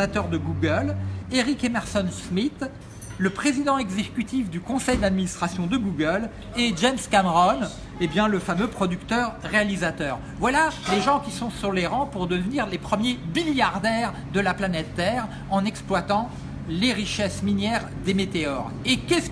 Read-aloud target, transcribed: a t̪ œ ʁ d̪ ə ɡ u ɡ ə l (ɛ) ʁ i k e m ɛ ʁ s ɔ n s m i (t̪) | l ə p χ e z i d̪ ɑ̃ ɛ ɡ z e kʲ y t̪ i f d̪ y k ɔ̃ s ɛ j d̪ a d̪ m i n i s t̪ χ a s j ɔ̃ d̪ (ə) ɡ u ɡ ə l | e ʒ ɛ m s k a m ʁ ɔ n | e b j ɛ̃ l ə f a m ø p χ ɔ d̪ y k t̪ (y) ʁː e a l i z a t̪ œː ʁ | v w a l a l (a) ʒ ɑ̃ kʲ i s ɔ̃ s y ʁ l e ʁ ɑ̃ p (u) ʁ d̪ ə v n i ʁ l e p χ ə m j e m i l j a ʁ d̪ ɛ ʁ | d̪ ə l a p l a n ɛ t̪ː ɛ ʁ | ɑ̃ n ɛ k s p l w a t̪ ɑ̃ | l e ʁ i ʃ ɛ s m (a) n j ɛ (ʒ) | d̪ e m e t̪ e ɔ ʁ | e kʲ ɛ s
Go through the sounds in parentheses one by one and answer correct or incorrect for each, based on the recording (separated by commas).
incorrect, correct, correct, incorrect, incorrect, correct, incorrect, incorrect